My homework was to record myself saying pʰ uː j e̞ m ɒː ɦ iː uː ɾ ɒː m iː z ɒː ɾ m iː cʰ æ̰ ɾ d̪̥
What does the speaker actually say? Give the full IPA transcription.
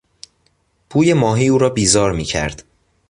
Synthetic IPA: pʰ uː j e̞ m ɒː ɦ iː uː ɾ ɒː b iː z ɒː ɾ m iː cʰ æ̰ ɾ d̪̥